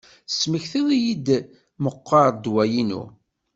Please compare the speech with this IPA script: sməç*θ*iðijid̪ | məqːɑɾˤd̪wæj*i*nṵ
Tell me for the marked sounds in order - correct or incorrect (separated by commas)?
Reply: correct, correct